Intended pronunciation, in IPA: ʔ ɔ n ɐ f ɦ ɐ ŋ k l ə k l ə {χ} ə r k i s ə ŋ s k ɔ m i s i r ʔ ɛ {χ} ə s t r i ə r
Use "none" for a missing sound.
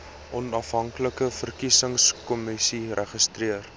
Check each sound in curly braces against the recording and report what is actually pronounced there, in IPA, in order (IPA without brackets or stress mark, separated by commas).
f, χ